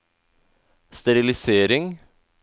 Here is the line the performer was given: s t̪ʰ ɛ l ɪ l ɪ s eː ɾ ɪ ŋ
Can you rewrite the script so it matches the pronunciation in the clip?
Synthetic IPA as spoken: s t̪ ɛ ɾ ɪ l ɪ s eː ɾ ɪ ŋ